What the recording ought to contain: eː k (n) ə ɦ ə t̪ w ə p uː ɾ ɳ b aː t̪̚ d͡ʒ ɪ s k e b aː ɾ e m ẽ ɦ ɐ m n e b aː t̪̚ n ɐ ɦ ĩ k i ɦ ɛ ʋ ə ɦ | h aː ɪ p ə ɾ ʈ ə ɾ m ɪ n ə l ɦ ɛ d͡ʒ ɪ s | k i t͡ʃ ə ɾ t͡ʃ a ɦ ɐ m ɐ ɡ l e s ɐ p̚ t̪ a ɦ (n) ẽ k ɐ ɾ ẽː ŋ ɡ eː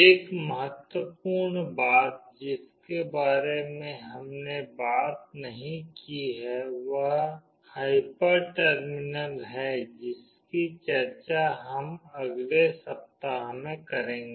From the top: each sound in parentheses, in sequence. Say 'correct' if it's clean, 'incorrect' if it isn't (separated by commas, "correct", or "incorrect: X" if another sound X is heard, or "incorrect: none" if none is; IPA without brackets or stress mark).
incorrect: m, incorrect: m